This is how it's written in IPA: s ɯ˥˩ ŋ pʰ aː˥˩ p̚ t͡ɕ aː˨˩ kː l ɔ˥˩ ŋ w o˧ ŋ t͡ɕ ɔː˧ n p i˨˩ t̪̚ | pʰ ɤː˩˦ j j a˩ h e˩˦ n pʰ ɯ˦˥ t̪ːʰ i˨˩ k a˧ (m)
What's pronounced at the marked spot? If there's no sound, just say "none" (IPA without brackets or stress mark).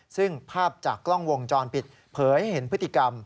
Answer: m